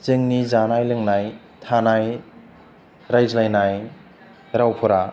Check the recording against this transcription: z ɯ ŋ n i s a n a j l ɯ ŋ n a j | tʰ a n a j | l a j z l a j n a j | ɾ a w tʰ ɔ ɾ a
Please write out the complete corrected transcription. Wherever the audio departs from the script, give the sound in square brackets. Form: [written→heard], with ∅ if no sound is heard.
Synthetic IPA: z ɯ ŋ n i [s→z] a n a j l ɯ ŋ n a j | tʰ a n a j | [l→ɾ] a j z l a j n a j | ɾ a w [tʰ→pʰ] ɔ ɾ a